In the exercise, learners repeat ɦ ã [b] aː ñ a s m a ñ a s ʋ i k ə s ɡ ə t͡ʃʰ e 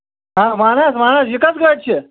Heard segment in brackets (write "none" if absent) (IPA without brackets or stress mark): m